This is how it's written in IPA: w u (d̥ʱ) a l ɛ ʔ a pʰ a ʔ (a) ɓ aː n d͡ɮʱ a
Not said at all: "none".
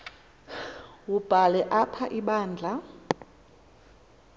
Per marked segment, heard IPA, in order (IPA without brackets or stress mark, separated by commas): b̥ʱ, i